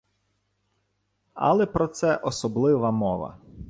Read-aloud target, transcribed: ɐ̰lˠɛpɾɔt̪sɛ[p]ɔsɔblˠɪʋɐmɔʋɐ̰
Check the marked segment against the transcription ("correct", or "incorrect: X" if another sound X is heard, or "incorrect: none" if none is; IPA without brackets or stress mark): incorrect: ʔ